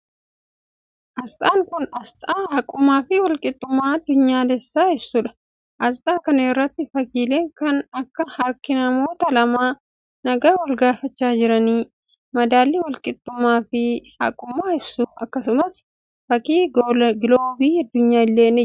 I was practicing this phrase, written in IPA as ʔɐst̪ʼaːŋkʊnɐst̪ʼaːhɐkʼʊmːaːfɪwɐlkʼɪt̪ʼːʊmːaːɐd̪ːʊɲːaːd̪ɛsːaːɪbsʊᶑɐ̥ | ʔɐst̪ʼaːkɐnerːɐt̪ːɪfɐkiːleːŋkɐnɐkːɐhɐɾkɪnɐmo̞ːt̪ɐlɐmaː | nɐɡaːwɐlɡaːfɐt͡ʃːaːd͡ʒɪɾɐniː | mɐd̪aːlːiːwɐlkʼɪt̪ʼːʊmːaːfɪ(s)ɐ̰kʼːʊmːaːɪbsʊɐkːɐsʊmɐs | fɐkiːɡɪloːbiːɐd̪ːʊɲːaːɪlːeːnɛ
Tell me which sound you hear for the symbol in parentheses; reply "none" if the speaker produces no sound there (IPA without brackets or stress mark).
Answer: h